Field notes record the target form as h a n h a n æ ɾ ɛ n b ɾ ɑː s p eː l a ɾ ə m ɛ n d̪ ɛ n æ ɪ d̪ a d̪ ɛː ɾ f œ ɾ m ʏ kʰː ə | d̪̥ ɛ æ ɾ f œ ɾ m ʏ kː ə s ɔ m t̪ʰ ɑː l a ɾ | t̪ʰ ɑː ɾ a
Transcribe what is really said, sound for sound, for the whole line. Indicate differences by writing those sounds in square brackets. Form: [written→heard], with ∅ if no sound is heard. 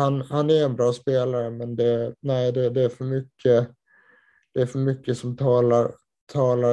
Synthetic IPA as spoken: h a n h a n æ ɾ ɛ n b ɾ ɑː s p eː l a ɾ ə m ɛ n d̪ ɛ n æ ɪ d̪ [a→ɛ] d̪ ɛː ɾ f œ ɾ m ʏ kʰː ə | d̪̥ ɛ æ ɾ f œ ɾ m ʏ kː ə s ɔ m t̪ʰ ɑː l a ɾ | t̪ʰ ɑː [ɾ→l] a